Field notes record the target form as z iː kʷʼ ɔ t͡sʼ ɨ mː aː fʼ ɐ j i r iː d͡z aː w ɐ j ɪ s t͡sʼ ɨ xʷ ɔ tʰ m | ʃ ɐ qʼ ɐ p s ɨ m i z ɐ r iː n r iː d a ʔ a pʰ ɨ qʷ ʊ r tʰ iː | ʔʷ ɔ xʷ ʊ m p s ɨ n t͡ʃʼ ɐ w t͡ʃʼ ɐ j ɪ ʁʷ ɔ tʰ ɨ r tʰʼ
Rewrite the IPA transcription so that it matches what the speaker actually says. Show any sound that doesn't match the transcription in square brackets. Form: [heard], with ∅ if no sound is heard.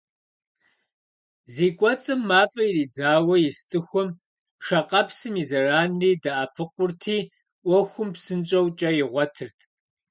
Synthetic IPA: z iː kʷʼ ɔ t͡sʼ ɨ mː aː fʼ ɐ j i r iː d͡z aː w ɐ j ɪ s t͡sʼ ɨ xʷ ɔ [∅] m | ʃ ɐ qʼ ɐ p s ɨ m i z ɐ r [aː] n r iː d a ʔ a pʰ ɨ qʷ ʊ r tʰ iː | ʔʷ ɔ xʷ ʊ m p s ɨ n t͡ʃʼ ɐ w t͡ʃʼ ɐ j ɪ ʁʷ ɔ tʰ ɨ r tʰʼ